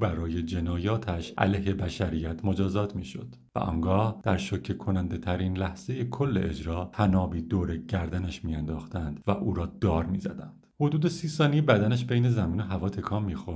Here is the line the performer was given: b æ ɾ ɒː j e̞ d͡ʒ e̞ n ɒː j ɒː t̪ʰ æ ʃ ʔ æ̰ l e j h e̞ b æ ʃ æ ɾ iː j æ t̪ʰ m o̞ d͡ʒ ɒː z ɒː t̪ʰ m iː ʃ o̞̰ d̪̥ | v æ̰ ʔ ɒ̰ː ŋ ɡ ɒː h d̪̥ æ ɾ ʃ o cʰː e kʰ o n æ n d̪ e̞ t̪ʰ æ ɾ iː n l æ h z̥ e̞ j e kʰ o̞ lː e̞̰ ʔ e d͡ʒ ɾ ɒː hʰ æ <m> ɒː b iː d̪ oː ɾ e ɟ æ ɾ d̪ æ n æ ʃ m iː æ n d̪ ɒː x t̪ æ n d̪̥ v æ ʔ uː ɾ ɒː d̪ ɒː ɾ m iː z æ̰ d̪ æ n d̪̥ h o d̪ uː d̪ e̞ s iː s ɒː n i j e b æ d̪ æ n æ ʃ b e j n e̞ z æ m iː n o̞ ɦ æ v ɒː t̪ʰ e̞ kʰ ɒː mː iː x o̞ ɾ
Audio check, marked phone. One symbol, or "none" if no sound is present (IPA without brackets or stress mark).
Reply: n